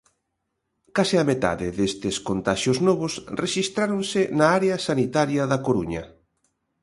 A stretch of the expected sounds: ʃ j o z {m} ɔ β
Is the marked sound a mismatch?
yes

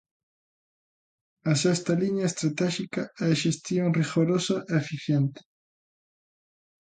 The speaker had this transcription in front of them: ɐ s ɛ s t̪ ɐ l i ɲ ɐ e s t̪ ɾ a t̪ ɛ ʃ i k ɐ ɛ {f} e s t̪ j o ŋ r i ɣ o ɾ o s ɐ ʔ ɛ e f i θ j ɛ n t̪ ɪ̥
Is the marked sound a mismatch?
yes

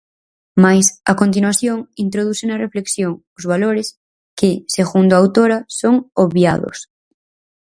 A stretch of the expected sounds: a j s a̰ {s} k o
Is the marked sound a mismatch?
yes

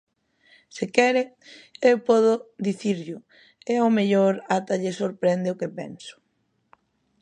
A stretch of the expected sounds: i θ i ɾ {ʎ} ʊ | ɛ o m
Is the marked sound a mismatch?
no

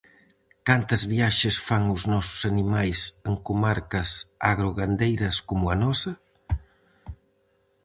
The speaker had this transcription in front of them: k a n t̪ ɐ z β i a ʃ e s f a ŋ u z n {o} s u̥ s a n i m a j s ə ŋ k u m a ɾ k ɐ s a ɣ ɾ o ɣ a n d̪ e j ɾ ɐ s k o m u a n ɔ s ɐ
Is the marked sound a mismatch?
yes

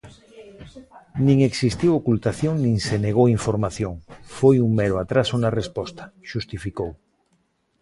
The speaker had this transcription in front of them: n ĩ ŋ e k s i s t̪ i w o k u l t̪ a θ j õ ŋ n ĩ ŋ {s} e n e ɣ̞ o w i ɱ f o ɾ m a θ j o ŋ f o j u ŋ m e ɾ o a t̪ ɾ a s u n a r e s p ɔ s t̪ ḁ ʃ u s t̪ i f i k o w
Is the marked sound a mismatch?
no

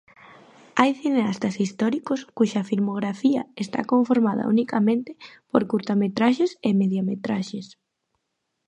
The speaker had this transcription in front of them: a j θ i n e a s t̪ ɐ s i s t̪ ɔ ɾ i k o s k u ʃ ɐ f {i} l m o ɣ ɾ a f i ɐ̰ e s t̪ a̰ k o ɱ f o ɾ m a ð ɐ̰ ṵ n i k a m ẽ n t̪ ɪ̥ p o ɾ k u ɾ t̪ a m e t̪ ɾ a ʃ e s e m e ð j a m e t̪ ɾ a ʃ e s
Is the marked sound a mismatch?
no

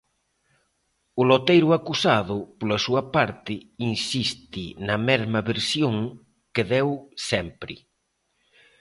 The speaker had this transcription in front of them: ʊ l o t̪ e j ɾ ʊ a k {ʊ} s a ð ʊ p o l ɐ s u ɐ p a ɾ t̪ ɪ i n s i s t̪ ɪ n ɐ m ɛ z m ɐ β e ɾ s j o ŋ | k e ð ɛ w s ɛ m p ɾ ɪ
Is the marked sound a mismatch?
yes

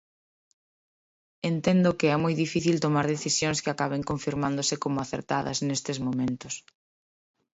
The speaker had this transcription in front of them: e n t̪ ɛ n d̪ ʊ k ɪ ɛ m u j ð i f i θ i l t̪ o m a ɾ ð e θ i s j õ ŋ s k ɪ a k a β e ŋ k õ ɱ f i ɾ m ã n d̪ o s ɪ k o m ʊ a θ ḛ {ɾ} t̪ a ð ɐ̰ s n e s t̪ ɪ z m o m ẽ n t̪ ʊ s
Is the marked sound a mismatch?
no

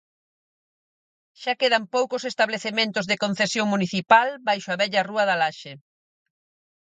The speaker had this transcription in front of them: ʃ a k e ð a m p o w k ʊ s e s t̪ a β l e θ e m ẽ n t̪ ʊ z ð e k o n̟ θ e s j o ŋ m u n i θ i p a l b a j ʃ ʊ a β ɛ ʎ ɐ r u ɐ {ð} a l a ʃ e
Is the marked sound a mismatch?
no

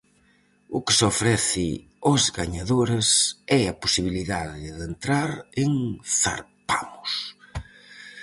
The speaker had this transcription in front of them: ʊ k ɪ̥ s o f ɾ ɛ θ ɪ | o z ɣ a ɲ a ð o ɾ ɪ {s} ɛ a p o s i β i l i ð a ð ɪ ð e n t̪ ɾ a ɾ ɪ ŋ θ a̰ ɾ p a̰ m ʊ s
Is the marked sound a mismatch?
no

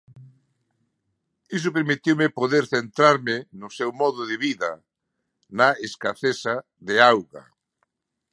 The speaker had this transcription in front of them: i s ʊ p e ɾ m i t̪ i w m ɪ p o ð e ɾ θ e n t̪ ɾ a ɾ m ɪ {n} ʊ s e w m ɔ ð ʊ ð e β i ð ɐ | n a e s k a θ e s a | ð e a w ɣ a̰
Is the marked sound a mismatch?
no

